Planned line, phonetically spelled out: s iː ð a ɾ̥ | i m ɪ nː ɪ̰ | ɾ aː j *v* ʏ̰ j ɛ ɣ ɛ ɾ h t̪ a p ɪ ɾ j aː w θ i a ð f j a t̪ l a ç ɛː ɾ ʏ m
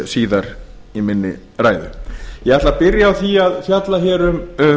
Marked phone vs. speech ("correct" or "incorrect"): incorrect